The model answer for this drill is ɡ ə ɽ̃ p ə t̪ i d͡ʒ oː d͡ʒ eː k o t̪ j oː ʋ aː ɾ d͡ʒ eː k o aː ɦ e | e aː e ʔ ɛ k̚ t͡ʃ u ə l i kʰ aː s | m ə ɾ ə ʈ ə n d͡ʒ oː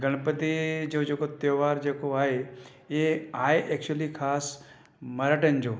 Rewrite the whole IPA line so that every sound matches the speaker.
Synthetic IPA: ɡ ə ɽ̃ p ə t̪ i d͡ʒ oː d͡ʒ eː k o t̪ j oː ʋ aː ɾ d͡ʒ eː k o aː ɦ e | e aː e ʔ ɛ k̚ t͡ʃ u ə l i kʰ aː s | m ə ɾ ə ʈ ə n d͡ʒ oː